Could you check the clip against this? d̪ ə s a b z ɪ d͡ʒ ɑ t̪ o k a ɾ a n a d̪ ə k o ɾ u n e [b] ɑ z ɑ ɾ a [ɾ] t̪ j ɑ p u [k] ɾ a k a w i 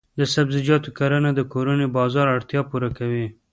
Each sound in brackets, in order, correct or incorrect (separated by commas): correct, incorrect, incorrect